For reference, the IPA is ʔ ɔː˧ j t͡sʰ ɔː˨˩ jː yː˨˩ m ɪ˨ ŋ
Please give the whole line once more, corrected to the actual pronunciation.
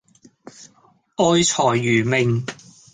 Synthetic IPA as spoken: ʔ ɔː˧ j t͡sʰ ɔː˨˩ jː yː˨˩ m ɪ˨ ŋ